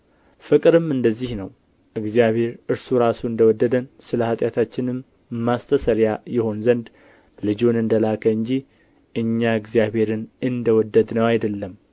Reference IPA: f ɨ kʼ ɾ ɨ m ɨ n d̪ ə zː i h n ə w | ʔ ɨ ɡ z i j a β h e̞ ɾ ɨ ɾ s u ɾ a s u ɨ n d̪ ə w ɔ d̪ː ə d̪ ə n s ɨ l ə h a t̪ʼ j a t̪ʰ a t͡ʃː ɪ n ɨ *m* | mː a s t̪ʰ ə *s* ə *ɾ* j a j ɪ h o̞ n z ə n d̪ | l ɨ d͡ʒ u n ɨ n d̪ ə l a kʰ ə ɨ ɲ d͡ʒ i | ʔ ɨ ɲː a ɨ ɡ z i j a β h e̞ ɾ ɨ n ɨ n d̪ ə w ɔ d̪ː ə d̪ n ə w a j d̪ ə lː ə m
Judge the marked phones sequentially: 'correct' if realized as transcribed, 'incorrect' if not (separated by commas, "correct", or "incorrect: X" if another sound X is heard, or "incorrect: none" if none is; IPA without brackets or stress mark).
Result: correct, correct, correct